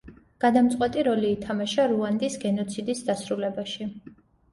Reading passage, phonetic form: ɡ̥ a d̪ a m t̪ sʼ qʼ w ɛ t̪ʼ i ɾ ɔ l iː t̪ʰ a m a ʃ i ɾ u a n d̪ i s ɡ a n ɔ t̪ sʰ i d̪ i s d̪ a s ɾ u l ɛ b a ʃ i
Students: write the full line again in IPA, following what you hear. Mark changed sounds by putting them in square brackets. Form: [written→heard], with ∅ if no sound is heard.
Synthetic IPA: ɡ̥ a d̪ a m t̪ sʼ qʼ w ɛ t̪ʼ i ɾ ɔ l iː t̪ʰ a m a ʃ [i→a] ɾ u a n d̪ i s ɡ [a→ɛ] n ɔ t̪ sʰ i d̪ i s d̪ a s ɾ u l ɛ b a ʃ i

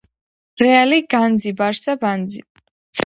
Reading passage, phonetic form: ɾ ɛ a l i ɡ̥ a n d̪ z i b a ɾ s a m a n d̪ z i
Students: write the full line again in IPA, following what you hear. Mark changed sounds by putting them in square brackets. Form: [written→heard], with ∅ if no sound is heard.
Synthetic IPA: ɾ ɛ a l i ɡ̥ a n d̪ z i b a ɾ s a [m→b] a n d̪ z i

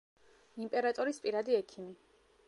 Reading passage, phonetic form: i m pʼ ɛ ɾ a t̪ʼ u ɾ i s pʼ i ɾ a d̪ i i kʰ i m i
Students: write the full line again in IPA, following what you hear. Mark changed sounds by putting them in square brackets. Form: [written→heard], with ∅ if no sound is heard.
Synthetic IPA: i m pʼ ɛ ɾ a t̪ʼ [u→ɔ] ɾ i s pʼ i ɾ a d̪ i [i→ɛ] kʰ i m i

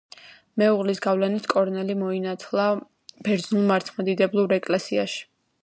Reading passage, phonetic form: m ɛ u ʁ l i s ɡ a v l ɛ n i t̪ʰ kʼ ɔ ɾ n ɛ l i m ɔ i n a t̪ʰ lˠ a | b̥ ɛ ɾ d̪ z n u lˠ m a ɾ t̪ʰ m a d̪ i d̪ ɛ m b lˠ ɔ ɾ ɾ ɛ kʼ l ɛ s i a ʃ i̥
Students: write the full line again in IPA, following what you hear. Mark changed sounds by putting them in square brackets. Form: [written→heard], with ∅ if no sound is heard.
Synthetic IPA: m ɛ u ʁ l i s ɡ a v l ɛ n i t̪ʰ kʼ ɔ ɾ n ɛ l i m ɔ i n a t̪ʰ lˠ a | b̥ ɛ ɾ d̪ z n u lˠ m a ɾ t̪ʰ m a d̪ i d̪ ɛ [m→∅] b lˠ [ɔ→u] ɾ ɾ ɛ kʼ l ɛ s i a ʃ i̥

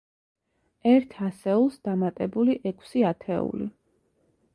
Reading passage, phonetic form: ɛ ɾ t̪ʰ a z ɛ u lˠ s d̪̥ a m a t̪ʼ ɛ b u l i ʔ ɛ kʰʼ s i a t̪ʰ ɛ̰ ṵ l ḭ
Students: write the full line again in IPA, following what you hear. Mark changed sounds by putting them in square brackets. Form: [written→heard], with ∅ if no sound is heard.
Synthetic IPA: ɛ ɾ t̪ʰ a [z→s] ɛ u lˠ s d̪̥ a m a t̪ʼ ɛ b u l i ʔ ɛ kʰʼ s i a t̪ʰ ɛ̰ ṵ l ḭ

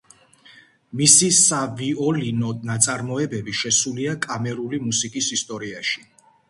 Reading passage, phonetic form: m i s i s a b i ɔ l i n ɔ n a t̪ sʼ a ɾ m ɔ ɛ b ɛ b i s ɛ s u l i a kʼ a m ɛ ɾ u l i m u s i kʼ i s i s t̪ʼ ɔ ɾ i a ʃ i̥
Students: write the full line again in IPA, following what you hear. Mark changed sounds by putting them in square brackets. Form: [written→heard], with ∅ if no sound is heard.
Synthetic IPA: m i s i s a [b→v] i ɔ l i n ɔ n a t̪ sʼ a ɾ m ɔ ɛ b ɛ b i [s→ʃ] ɛ s u l i a kʼ a m ɛ ɾ u l i m u s i kʼ i s i s t̪ʼ ɔ ɾ i a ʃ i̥

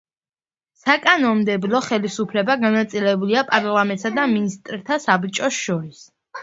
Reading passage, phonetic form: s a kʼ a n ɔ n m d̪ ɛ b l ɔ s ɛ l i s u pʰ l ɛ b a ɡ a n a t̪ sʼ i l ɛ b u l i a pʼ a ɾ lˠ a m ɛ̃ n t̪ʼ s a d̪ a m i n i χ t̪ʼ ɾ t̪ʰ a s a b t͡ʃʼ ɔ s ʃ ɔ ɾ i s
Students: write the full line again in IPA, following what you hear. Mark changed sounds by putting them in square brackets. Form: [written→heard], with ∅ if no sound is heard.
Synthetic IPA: s a kʼ a n ɔ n m d̪ ɛ b l ɔ [s→χ] ɛ l i s u pʰ l ɛ b a ɡ a n a t̪ sʼ i l ɛ b u l i a pʼ a ɾ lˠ a m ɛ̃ n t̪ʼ s a d̪ a m i n i [χ→s] t̪ʼ ɾ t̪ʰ a s a b t͡ʃʼ ɔ s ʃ ɔ ɾ i s

